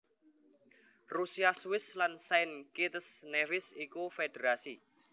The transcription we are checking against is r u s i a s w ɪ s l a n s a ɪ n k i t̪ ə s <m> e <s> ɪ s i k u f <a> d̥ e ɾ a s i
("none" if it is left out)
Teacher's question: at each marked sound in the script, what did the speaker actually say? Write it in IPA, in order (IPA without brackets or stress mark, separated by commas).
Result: n, f, e